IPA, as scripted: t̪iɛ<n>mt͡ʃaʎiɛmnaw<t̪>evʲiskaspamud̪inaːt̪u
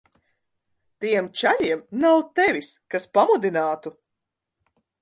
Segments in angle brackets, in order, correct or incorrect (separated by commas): incorrect, correct